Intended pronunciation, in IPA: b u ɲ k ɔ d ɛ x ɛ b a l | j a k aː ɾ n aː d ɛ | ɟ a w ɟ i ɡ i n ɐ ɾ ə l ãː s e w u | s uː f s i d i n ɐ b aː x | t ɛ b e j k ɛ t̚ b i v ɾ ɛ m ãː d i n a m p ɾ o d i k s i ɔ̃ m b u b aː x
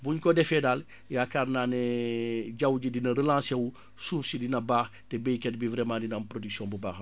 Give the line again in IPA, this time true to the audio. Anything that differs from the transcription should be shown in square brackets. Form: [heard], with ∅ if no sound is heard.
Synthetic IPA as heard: b u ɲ k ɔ d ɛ [f] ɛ [d] a l | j a k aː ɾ n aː [n] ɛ | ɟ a w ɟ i [d] i n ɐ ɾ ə l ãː s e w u | s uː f s i d i n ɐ b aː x | t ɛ b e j k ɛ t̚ b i v ɾ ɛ m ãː d i n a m p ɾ o d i k s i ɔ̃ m b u b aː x